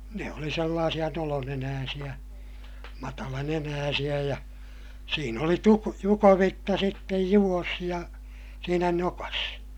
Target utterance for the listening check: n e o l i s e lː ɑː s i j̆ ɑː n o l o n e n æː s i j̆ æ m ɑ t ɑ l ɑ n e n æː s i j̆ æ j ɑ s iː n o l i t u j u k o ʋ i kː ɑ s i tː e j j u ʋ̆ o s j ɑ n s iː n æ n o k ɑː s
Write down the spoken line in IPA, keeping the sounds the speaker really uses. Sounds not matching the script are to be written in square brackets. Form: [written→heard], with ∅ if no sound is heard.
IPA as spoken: n e o l i s e lː ɑː s i j̆ [ɑː→ɑ] n o l o n e n æː s i j̆ æ m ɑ t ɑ l ɑ n e n æː s i j̆ æ j ɑ s iː n o l i t u j u k o ʋ i [kː→tː] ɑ s i tː e j j u ʋ̆ o s j ɑ [n→∅] s iː n æ n o k [ɑː→ɑ] s